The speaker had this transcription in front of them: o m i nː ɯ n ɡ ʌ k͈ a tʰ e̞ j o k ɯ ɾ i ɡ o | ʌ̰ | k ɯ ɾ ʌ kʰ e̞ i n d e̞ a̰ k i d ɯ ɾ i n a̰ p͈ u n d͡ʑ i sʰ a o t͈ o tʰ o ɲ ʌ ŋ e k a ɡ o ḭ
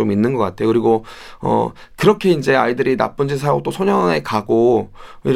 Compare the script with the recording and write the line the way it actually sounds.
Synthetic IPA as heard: o m i nː ɯ n ɡ ʌ k͈ a tʰ e̞ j o k ɯ ɾ i ɡ o | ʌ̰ | k ɯ ɾ ʌ kʰ e̞ i n d͡ʑ e̞ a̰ i d ɯ ɾ i n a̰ p͈ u n d͡ʑ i sʰ a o t͈ o sʰ o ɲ ʌ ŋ e k a ɡ o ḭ